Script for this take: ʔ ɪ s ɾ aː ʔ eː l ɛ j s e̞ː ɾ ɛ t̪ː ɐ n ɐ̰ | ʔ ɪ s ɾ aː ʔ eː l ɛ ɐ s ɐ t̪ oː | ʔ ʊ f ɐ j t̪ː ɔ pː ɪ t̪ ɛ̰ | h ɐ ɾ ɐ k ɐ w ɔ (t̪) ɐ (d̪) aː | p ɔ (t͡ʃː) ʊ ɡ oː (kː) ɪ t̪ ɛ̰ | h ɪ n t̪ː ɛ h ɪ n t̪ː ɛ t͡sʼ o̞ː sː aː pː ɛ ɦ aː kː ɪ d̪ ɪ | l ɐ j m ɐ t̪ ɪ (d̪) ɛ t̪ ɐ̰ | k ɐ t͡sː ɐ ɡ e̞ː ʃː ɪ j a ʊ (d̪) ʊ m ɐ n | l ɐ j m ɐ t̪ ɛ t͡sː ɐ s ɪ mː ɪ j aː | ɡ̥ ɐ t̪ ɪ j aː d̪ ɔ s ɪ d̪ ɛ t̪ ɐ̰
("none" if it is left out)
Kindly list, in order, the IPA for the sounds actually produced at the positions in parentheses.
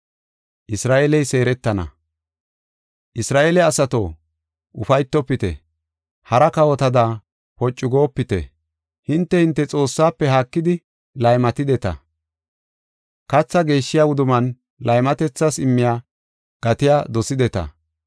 t̪, d̪, t͡ʃʼː, pː, d̪, d̪

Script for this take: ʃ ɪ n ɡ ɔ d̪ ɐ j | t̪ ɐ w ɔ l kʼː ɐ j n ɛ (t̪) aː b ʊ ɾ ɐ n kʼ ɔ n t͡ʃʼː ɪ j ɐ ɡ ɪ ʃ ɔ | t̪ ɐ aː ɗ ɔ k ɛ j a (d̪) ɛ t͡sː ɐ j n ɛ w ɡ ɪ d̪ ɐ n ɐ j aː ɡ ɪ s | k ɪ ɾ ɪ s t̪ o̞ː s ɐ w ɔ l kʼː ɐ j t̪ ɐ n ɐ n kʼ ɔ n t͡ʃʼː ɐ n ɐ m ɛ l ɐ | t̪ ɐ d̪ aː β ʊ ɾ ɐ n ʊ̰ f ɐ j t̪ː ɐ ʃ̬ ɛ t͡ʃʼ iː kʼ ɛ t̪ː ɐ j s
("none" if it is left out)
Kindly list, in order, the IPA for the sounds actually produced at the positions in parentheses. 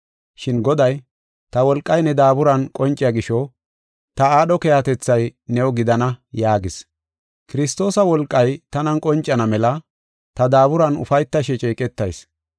d̪, t̪

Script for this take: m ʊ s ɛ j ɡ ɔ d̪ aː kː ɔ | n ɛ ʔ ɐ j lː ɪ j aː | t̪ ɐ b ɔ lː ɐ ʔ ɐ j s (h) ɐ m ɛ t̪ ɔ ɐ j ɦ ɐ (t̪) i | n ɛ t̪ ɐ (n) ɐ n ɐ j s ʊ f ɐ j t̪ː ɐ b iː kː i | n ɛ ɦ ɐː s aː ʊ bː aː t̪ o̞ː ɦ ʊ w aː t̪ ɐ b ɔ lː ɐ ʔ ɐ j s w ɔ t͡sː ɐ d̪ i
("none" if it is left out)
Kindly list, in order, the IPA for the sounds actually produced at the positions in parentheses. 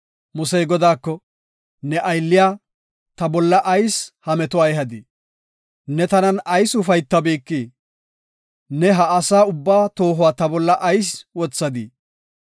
h, d̪, n

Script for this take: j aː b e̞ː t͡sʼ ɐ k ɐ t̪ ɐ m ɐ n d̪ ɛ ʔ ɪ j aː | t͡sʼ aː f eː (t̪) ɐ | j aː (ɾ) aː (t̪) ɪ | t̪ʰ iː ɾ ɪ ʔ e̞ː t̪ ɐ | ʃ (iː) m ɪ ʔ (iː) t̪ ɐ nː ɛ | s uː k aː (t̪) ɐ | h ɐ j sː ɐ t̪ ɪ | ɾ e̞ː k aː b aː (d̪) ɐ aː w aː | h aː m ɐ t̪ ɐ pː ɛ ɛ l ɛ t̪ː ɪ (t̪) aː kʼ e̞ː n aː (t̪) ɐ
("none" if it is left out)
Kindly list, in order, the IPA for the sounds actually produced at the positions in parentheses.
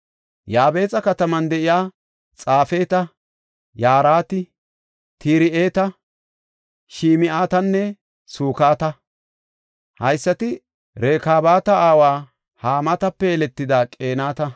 t̪, ɾ, t̪, iː, aː, t̪, t̪, d̪, t̪

